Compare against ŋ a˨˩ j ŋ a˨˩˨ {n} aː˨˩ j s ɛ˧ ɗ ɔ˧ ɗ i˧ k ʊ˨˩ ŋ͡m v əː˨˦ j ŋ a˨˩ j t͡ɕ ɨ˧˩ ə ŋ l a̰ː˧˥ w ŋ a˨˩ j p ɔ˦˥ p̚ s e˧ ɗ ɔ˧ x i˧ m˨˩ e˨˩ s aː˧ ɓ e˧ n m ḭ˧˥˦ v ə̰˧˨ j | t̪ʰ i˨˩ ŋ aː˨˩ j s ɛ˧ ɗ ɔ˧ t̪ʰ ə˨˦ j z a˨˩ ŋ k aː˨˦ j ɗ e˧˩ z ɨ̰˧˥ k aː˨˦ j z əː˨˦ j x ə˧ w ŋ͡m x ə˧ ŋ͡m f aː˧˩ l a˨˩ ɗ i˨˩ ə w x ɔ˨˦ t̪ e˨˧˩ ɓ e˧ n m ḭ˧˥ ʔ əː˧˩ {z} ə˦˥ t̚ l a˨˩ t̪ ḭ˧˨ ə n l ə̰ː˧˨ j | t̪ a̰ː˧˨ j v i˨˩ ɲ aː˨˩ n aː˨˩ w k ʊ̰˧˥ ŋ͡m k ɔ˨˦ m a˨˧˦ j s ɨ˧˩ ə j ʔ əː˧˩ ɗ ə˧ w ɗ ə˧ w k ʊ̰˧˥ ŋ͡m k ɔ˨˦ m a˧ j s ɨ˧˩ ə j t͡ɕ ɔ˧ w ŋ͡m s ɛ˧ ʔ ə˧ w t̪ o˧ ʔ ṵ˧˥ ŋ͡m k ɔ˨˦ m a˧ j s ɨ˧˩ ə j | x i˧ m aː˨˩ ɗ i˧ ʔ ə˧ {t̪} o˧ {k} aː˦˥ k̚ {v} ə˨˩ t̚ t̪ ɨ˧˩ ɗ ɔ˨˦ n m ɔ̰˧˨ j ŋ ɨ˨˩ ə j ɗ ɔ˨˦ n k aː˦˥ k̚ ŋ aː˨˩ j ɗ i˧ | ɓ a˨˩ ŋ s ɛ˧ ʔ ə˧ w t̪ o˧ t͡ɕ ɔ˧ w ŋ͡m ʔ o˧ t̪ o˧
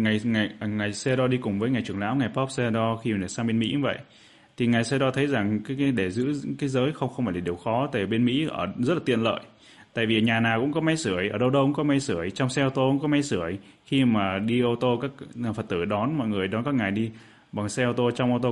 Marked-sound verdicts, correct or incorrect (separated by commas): incorrect, correct, correct, correct, incorrect